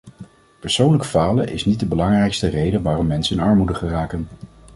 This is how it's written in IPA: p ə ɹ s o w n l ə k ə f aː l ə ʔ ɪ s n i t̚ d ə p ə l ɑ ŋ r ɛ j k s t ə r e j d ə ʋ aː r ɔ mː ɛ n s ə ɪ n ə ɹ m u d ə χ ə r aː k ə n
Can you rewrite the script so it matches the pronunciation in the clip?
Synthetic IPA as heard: p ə ɹ s o w n l ə k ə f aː l ə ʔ ɪ s n i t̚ d ə b ə l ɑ ŋ r ɛ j k s t ə r e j d ə ʋ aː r ɔ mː ɛ n s ə ɪ n ɑ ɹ m u d ə χ ə r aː k ə n